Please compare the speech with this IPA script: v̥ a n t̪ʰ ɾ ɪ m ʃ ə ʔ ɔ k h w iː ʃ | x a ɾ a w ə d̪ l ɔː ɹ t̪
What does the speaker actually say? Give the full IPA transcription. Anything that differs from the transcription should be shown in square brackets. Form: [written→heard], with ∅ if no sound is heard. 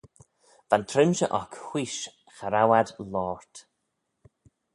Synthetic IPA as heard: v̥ a n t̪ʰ ɾ ɪ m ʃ ə ʔ ɔ k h w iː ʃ | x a ɾ a w [ə→a] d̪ l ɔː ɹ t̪